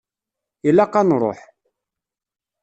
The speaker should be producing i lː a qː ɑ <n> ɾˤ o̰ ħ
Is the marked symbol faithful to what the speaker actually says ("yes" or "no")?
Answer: yes